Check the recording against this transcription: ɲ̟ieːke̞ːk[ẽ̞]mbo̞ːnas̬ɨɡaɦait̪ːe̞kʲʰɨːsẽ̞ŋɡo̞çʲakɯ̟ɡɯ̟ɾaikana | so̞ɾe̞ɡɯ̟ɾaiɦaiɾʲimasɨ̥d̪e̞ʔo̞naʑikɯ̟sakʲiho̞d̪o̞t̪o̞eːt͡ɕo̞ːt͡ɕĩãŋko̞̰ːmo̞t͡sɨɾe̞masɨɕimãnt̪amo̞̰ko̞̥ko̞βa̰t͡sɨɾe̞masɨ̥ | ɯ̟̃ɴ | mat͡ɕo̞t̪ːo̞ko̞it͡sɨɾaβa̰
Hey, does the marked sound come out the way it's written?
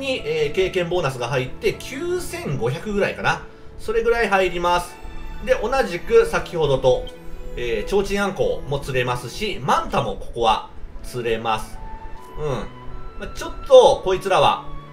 yes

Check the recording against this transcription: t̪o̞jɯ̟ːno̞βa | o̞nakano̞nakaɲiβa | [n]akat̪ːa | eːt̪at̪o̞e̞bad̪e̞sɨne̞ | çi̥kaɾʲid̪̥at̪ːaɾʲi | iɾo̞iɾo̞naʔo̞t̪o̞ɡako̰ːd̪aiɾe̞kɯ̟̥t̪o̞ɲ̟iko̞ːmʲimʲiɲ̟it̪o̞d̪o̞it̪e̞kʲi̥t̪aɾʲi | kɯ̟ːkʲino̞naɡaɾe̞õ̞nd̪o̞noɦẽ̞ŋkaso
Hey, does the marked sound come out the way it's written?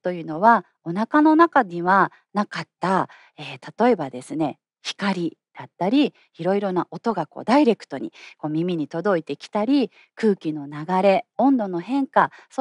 yes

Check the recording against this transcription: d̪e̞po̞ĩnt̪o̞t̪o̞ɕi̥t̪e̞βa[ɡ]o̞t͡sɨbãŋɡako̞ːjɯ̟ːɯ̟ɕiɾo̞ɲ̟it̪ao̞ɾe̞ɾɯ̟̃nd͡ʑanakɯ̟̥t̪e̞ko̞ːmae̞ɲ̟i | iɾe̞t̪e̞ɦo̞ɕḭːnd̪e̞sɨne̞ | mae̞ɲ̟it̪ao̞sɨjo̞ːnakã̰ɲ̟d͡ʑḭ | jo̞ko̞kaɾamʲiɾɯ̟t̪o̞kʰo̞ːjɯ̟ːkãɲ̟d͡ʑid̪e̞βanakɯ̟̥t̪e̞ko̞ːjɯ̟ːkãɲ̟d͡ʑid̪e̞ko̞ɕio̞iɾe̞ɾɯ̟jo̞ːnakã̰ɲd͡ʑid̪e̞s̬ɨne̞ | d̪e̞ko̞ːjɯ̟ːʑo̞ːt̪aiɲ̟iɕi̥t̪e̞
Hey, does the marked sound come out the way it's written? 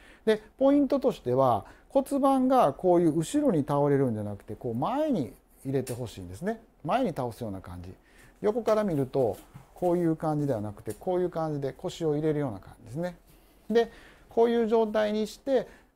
no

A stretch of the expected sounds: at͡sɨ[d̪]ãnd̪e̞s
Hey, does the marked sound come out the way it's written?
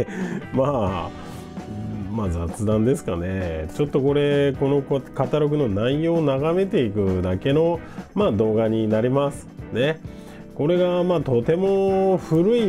yes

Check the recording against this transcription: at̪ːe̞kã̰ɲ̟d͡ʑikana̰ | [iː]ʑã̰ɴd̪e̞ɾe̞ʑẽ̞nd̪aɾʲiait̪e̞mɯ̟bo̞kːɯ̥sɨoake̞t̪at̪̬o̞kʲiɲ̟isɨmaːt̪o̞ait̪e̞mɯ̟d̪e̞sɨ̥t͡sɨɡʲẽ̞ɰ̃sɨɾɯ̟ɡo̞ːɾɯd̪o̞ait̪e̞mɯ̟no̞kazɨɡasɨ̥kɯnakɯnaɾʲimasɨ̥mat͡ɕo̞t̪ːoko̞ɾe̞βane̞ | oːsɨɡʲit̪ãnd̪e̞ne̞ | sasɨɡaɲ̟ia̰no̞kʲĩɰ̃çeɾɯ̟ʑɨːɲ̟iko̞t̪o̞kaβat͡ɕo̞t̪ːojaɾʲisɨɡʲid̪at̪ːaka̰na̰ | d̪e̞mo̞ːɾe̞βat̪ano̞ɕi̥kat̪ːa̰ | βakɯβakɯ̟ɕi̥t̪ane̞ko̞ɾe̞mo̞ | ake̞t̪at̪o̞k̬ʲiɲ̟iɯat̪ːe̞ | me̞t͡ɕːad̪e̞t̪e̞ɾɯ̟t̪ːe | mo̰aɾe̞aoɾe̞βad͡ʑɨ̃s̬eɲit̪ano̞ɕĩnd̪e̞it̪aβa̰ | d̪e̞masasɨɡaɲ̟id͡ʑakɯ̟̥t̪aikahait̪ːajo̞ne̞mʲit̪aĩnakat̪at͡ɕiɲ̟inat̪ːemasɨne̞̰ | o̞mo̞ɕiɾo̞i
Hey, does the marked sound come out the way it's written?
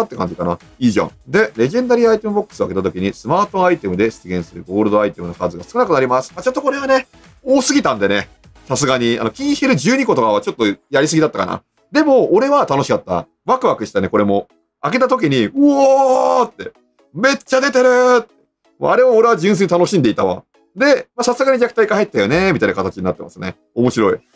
yes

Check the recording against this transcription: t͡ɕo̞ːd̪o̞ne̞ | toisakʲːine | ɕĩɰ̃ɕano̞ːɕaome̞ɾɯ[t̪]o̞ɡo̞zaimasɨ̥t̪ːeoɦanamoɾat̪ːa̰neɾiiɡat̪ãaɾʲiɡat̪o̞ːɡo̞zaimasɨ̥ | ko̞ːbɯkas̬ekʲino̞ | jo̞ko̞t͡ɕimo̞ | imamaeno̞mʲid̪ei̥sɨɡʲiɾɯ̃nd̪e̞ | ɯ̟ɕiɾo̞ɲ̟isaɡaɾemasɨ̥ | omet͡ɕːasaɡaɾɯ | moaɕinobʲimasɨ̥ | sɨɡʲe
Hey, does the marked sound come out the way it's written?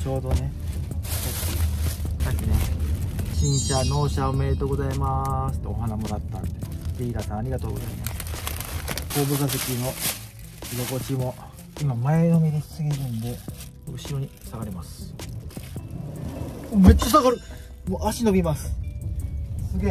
yes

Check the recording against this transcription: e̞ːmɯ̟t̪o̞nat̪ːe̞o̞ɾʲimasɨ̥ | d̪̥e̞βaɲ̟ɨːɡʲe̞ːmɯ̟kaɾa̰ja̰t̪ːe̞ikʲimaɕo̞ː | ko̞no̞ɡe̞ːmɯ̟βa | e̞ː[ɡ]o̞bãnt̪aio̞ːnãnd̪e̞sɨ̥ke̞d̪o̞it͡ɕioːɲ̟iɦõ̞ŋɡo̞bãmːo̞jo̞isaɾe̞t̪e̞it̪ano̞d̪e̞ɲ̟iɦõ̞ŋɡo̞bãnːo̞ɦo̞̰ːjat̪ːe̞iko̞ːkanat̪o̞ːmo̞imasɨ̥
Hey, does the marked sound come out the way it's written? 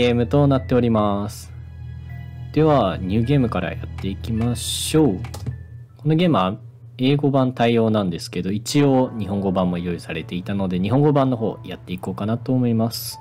yes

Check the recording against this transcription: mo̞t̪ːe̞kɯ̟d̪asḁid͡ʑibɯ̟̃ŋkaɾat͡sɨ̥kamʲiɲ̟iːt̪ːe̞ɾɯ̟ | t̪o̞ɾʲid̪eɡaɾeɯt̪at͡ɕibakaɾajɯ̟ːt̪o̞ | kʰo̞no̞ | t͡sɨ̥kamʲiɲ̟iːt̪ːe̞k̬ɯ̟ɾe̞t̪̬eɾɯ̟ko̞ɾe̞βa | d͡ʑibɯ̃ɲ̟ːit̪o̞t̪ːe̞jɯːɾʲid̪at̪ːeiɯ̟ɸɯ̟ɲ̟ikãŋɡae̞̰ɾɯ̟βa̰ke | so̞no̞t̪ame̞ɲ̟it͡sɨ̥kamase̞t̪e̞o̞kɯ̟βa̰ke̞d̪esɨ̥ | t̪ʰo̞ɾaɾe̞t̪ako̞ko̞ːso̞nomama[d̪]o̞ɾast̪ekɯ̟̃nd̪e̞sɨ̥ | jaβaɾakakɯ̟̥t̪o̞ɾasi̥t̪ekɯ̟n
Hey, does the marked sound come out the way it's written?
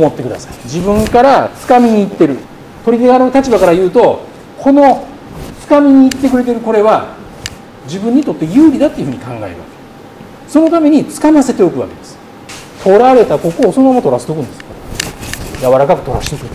no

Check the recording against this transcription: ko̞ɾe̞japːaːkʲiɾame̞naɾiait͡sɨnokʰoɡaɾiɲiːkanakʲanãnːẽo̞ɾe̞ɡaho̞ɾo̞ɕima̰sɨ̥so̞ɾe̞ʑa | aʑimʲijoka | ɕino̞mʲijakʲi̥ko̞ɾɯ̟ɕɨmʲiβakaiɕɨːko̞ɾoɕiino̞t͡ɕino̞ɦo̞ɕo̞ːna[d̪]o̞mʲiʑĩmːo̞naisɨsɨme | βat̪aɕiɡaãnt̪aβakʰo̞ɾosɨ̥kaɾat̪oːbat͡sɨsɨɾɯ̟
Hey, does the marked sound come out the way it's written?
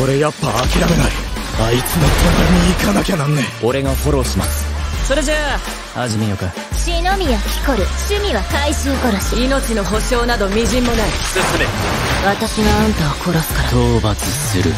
yes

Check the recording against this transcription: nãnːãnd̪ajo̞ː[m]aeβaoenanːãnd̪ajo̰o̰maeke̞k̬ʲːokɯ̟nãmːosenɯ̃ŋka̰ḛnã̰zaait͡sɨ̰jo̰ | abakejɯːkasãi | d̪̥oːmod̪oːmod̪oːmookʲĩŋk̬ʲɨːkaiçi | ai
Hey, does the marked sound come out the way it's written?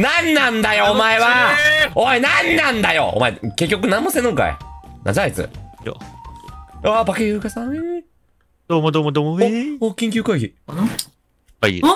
yes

